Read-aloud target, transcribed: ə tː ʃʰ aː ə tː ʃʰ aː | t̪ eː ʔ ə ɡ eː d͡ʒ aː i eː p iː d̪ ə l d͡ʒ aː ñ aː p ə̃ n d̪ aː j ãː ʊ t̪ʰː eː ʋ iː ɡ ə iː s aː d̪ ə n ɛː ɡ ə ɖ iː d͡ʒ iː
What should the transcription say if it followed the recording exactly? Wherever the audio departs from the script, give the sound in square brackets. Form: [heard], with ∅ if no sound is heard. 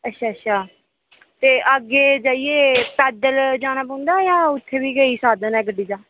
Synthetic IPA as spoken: ə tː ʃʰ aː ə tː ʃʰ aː | t̪ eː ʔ ə ɡ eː d͡ʒ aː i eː p [ɛː] d̪ ə l d͡ʒ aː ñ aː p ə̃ n d̪ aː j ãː ʊ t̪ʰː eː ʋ iː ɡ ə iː s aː d̪ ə n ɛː ɡ ə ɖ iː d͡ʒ [aː]